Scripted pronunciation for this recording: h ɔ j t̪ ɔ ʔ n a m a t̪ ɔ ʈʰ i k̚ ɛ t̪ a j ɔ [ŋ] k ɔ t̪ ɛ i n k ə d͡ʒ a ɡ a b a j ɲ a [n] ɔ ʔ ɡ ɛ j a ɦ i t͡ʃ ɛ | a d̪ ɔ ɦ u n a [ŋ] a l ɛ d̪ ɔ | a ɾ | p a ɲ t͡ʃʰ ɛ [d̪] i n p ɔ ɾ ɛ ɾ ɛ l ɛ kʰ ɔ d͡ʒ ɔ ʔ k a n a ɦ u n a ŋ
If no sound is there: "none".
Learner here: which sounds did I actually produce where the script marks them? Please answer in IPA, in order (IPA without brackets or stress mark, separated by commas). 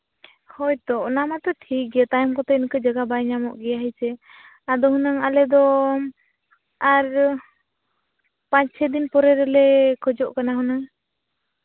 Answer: m, m, ŋ, d̪